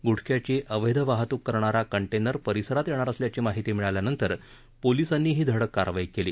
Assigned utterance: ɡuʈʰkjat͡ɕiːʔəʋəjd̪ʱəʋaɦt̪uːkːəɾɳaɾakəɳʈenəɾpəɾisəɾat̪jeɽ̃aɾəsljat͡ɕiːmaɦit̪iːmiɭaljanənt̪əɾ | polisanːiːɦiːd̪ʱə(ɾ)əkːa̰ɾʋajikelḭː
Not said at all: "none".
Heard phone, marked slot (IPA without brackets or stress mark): ɽ